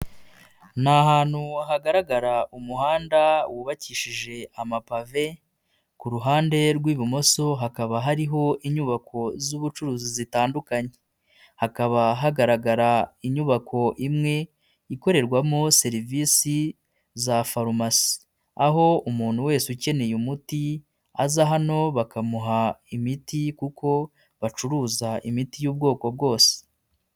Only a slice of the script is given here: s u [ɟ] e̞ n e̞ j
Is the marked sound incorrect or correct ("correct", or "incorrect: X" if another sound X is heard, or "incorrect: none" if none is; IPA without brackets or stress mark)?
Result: incorrect: c